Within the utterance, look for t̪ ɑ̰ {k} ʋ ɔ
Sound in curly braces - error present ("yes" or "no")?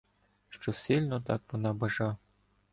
no